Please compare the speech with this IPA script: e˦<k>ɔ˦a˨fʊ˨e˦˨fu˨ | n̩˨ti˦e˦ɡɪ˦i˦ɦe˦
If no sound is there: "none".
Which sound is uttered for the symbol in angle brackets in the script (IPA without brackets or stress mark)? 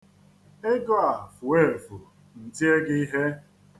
ɡ